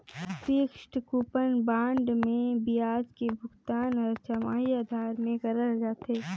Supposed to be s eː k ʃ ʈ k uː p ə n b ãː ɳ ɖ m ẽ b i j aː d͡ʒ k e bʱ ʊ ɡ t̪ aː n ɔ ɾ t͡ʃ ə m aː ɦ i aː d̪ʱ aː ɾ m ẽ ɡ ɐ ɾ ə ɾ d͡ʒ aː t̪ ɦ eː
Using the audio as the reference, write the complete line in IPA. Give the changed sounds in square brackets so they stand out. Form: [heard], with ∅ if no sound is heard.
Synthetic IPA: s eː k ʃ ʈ k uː p ə n b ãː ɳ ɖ m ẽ b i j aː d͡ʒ k e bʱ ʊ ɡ t̪ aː n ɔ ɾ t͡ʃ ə m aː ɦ i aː d̪ʱ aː ɾ m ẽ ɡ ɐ ɾ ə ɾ d͡ʒ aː t̪ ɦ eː